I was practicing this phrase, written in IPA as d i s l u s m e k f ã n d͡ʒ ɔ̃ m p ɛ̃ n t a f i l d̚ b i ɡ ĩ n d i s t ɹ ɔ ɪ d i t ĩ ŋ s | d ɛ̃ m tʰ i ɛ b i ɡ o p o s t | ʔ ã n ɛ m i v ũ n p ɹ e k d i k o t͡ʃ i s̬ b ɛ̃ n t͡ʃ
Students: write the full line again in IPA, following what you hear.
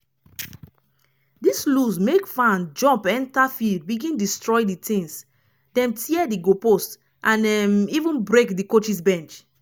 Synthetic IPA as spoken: d i s l u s m e k f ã n d͡ʒ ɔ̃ m p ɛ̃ n t a f i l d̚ b i ɡ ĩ n d i s t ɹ ɔ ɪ d i t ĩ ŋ s | d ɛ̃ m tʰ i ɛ d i ɡ o p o s t | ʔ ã n ɛ m i v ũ n b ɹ e k d i k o t͡ʃ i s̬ b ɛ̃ n t͡ʃ